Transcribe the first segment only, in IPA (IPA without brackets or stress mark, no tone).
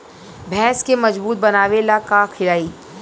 bʱ